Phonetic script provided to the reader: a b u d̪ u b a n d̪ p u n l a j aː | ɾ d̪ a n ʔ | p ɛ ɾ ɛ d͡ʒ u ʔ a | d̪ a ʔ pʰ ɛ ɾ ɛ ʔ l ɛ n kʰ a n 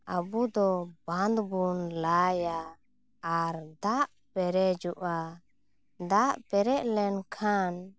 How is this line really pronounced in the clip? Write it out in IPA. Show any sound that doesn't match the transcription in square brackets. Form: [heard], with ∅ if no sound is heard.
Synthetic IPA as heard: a b u d̪ [ɔ] b a n d̪ [b] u n l a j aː | ɾ d̪ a [∅] ʔ | p ɛ ɾ ɛ d͡ʒ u ʔ a | d̪ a ʔ [p] ɛ ɾ ɛ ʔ l ɛ n kʰ a n